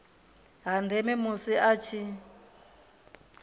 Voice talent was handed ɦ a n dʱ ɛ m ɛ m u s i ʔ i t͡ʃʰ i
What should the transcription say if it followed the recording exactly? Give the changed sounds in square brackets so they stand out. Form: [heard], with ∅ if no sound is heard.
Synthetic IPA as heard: ɦ a n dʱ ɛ m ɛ m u s i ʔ [a] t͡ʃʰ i